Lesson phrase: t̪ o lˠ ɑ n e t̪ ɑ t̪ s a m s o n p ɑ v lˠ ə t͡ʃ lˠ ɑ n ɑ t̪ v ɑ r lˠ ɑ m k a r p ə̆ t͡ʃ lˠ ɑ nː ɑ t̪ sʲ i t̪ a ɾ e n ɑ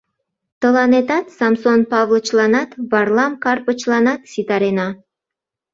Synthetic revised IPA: t̪ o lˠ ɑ n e t̪ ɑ t̪ s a m s o n p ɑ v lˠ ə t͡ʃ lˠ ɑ n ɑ t̪ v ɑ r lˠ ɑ m k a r p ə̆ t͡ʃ lˠ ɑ n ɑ t̪ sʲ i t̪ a ɾ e n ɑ